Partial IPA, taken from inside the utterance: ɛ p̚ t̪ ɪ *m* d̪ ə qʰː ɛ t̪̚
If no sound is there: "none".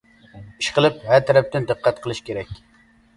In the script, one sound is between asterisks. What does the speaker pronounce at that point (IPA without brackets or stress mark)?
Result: n